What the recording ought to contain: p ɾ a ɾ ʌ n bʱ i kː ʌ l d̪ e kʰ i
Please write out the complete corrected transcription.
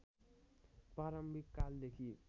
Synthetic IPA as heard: p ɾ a ɾ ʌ m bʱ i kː a l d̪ e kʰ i